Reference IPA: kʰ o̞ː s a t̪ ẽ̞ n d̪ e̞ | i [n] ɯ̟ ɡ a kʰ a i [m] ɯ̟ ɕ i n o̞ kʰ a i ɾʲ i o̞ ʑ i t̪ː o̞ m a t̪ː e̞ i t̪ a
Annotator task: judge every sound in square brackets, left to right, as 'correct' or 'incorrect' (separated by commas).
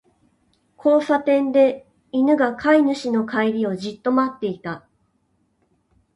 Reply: correct, incorrect